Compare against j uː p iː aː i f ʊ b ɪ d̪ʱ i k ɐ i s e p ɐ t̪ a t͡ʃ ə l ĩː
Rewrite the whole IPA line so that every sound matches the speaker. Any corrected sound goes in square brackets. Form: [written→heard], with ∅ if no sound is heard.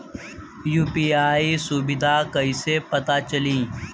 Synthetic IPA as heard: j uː p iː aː i [f→s] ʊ b ɪ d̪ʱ [i→a] k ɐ i s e p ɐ t̪ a t͡ʃ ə l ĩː